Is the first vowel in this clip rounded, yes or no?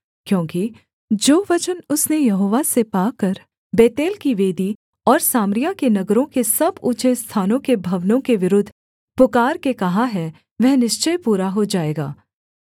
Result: yes